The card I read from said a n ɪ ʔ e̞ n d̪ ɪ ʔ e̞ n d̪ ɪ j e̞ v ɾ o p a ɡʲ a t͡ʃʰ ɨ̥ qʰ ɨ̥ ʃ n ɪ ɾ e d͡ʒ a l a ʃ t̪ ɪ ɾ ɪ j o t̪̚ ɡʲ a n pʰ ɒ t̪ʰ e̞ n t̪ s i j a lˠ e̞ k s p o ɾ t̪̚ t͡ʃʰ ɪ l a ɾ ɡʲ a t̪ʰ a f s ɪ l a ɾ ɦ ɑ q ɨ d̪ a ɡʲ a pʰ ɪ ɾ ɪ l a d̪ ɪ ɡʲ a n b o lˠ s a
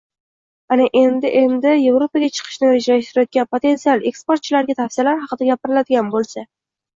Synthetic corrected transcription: a n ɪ ʔ e̞ n d̪ ɪ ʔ e̞ n d̪ ɪ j e̞ v ɾ o p a ɡʲ a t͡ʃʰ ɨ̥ qʰ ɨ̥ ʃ n ɪ ɾ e d͡ʒ a l a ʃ t̪ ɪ ɾ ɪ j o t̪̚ ɡʲ a n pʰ o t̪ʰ e̞ n t̪ s i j a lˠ e̞ k s p o ɾ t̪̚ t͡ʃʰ ɪ l a ɾ ɡʲ a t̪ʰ a f s ɪ l a ɾ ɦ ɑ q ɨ d̪ a ɡʲ a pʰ ɪ ɾ ɪ l a d̪ ɪ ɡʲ a n b o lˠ s a

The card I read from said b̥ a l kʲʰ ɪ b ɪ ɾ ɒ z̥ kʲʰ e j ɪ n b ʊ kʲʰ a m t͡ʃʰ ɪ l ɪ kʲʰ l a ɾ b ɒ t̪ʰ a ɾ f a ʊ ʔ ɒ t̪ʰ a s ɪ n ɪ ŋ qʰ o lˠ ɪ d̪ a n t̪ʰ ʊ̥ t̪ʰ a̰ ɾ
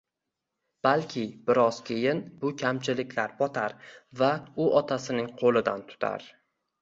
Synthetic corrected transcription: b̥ a l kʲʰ ɪ b ɪ ɾ ɒ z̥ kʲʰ e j ɪ n b ʊ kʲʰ a m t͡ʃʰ ɪ l ɪ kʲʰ l a ɾ b ɒ t̪ʰ a ɾ v a ʊ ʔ ɒ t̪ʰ a s ɪ n ɪ ŋ qʰ o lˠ ɪ d̪ a n t̪ʰ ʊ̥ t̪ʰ a̰ ɾ

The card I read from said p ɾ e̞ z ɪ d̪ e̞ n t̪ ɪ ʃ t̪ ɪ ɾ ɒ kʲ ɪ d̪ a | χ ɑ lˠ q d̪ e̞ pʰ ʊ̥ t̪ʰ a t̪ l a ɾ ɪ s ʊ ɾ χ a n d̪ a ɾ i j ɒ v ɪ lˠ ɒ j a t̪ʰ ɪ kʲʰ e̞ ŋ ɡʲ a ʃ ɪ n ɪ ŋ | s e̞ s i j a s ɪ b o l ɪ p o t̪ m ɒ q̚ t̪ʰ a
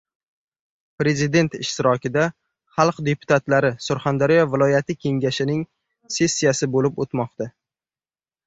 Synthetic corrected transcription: p ɾ e̞ z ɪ d̪ e̞ n t̪ ɪ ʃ t̪ ɪ ɾ ɒ kʲ ɪ d̪ a | χ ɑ lˠ q d̪ e̞ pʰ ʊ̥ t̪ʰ a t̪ l a ɾ ɪ s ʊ ɾ χ a n d̪ a ɾ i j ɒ v ɪ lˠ ɒ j a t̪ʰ ɪ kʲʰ e̞ ŋ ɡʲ a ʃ ɪ n ɪ ŋ | s e̞ sː i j a s ɪ b o l ɪ p o t̪ m ɒ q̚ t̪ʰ a

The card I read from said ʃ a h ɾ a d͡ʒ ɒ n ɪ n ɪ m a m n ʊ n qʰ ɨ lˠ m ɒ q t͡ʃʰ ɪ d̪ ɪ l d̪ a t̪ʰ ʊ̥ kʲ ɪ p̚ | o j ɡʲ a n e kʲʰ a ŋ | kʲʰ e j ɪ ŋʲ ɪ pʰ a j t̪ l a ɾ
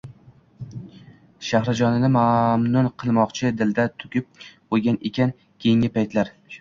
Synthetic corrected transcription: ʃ a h ɾ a d͡ʒ ɒ n ɪ n ɪ m a m n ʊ n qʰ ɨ lˠ m ɒ q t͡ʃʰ ɪ d̪ ɪ l d̪ a t̪ʰ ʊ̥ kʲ ɪ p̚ | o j ɡʲ a n e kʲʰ a n | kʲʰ e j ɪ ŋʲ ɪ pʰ a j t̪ l a ɾ

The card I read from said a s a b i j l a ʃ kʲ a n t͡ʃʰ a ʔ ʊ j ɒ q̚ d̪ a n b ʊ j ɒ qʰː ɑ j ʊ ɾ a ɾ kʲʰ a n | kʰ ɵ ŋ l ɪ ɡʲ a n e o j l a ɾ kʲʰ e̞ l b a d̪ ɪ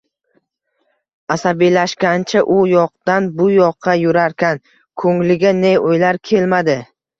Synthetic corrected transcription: a s a b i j l a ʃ kʲ a n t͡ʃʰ a ʔ ʊ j ɒ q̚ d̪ a n b ʊ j ɒ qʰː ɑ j ʊ ɾ a ɾ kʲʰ a n | kʰ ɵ ŋ l ɪ ɡʲ a n e o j l a ɾ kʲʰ e̞ l m a d̪ ɪ

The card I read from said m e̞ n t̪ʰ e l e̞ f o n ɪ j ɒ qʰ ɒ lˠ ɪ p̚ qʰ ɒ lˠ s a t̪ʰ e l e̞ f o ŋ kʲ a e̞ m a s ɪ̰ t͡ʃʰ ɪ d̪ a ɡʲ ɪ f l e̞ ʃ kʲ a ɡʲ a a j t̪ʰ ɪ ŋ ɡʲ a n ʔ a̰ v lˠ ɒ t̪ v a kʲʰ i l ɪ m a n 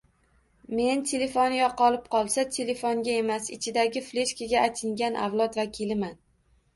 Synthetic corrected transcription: m e̞ n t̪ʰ e l e̞ f o n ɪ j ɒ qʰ ɒ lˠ ɪ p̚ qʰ ɒ lˠ s a t̪ʰ e l e̞ f o ŋ ɡʲ a e̞ m a s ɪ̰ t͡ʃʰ ɪ d̪ a ɡʲ ɪ f l e̞ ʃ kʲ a ɡʲ a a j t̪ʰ ɪ ŋ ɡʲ a n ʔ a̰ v lˠ ɒ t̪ v a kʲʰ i l ɪ m a n

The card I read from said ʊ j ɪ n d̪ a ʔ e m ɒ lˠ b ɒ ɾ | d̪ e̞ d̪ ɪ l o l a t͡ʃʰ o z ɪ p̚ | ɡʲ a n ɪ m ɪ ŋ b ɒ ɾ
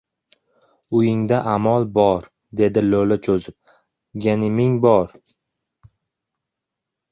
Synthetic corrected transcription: ʊ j ɪ ŋ d̪ a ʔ a m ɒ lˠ b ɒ ɾ | d̪ e̞ d̪ ɪ l o l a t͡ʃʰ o z ɪ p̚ | ɡʲ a n ɪ m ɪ ŋ b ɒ ɾ

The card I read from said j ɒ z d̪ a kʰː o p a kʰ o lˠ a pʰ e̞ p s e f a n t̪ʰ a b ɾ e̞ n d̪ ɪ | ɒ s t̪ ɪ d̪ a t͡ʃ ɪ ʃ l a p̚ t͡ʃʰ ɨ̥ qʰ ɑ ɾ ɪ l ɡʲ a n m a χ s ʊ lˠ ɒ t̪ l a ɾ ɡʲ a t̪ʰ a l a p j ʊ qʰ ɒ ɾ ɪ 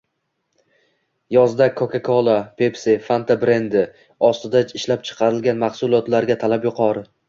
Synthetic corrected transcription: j ɒ z d̪ a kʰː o k a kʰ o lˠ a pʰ e̞ p s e f a n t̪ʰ a b ɾ e̞ n d̪ ɪ | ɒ s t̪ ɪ d̪ a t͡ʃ ɪ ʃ l a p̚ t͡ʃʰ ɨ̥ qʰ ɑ ɾ ɪ l ɡʲ a n m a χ s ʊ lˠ ɒ t̪ l a ɾ ɡʲ a t̪ʰ a l a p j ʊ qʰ ɒ ɾ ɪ

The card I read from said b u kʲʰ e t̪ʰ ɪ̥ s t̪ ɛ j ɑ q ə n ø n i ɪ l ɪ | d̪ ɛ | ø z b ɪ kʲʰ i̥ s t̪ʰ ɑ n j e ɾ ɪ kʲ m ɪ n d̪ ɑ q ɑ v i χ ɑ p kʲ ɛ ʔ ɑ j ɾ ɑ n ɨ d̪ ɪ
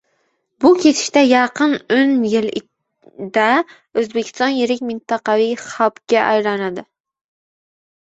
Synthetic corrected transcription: b u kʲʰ e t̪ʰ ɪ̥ ʃ t̪ ɛ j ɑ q ə n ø n j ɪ l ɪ | d̪ ɛ | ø z b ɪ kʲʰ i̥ s t̪ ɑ n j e ɾ ɪ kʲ m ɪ n t̪ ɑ q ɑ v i χ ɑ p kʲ ɛ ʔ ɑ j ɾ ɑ n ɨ d̪ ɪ

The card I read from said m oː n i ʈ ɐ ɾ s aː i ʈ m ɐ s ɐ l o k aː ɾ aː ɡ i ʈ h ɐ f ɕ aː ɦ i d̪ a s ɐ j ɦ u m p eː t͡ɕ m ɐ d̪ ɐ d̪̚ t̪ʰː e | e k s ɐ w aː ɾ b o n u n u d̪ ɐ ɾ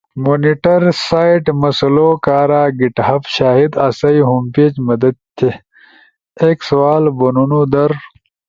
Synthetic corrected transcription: m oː n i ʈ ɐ ɾ s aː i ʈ m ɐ s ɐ l o k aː ɾ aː ɡ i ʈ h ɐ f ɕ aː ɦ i d̪ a s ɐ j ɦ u m p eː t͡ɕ m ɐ d̪ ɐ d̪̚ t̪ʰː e | e k s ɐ w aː l b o n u n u d̪ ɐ ɾ

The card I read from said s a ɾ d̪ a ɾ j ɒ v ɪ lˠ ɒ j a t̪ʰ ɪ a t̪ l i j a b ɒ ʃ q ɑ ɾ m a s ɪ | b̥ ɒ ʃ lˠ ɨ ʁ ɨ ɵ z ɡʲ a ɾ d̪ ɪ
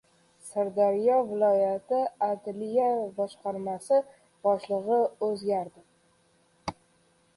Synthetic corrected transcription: s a ɾ d̪ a ɾ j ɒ v ɪ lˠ ɒ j a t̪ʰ ɪ a d̪ l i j a b ɒ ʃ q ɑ ɾ m a s ɪ | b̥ ɒ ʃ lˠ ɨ ʁ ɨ ɵ z ɡʲ a ɾ d̪ ɪ

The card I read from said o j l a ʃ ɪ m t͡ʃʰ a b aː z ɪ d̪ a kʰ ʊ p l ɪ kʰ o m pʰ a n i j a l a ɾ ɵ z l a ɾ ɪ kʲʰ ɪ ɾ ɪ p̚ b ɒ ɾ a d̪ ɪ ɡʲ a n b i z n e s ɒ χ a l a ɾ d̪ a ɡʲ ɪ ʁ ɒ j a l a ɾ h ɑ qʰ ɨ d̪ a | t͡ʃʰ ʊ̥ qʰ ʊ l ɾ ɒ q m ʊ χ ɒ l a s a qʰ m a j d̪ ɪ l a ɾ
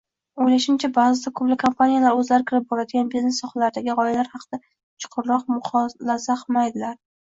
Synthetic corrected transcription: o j l a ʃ ɪ m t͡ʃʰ a b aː z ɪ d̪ a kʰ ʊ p l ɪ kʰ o m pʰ a n i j a l a ɾ ɵ z l a ɾ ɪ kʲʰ ɪ ɾ ɪ p̚ b ɒ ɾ a d̪ ɪ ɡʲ a n b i z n e s ɒ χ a l a ɾ d̪ a ɡʲ ɪ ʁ ɒ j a l a ɾ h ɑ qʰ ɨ d̪ a | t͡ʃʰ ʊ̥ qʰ ʊ ɾ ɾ ɒ q m ʊ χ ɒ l a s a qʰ m a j d̪ ɪ l a ɾ

